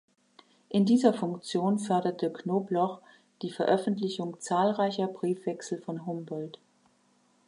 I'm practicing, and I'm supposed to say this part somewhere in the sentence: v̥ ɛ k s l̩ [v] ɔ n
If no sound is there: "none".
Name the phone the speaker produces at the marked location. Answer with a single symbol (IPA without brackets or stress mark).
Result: f